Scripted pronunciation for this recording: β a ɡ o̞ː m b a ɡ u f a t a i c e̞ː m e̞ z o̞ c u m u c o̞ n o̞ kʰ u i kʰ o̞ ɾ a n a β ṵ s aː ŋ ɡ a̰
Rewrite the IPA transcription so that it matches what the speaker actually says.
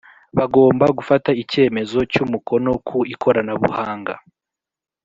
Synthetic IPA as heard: β a ɡ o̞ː m b a ɡ u f a t a i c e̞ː m e̞ z o̞ c u m u k o̞ n o̞ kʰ u i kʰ o̞ ɾ a n a β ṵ h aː ŋ ɡ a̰